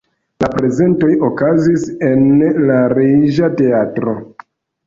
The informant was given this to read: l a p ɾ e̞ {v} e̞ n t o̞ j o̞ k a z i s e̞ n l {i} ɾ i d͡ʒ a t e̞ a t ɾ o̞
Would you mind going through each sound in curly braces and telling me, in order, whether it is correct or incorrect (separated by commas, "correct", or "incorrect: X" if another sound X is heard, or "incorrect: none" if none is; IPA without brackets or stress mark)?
incorrect: z, incorrect: a